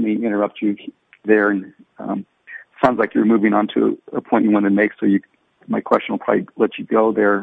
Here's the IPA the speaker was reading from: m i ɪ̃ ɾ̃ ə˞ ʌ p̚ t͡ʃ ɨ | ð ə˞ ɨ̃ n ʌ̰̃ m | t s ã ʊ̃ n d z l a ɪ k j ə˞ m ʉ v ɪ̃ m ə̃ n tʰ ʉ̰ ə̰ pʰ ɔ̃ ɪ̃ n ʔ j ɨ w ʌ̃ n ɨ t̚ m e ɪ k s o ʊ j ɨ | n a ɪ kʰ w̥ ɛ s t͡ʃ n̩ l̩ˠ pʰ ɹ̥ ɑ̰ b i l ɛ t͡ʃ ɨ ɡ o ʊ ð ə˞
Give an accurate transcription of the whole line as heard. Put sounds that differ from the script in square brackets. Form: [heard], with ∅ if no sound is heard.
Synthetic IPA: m i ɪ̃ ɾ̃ ə˞ ʌ p̚ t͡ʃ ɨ | ð ə˞ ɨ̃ n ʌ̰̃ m | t s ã ʊ̃ n d z l a ɪ k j ə˞ m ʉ v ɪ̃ [ŋ] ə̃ n tʰ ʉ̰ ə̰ pʰ ɔ̃ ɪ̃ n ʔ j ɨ w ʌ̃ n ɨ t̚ m e ɪ k s o ʊ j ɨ | [m] a ɪ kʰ w̥ ɛ s t͡ʃ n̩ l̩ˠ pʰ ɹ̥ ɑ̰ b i l ɛ t͡ʃ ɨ ɡ o ʊ ð ə˞